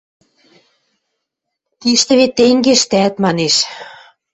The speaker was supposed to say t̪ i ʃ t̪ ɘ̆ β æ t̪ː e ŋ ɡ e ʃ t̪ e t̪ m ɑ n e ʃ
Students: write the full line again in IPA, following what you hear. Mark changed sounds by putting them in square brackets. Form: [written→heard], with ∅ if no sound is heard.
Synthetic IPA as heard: t̪ i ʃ t̪ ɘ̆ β [æ→e] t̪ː e ŋ ɡ e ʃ t̪ [e→æ] t̪ m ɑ n e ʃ